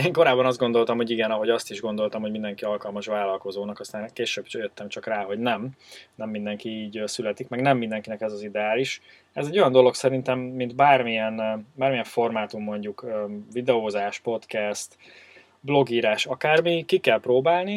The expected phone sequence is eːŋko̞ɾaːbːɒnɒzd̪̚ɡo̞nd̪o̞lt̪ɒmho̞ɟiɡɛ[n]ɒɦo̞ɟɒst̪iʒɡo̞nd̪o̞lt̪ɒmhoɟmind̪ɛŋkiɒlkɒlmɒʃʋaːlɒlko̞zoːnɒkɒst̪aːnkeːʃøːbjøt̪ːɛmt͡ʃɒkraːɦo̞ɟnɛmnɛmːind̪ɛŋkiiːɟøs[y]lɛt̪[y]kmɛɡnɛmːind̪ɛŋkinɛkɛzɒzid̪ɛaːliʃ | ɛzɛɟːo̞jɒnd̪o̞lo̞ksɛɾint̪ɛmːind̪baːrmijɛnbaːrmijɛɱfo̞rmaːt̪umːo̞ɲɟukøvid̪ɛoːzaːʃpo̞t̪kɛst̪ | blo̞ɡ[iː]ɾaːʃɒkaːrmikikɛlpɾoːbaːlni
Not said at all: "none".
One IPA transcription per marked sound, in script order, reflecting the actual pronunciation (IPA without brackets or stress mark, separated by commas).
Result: n, y, i, iː